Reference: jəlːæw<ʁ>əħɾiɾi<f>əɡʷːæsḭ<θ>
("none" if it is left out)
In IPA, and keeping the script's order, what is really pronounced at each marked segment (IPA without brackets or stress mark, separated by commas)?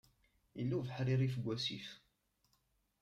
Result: v, f, f